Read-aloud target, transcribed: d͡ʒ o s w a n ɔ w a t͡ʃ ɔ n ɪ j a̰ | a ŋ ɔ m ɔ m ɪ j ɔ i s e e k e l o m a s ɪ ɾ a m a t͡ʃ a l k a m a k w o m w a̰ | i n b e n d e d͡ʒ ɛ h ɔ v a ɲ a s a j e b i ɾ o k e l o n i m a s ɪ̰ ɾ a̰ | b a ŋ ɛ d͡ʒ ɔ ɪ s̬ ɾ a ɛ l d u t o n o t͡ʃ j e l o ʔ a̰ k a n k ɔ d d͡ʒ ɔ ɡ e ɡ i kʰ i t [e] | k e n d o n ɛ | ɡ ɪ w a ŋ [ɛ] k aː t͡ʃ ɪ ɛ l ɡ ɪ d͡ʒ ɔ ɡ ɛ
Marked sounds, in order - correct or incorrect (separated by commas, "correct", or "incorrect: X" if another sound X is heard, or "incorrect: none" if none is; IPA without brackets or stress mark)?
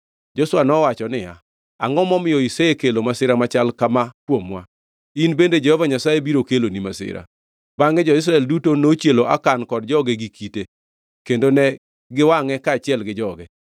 correct, correct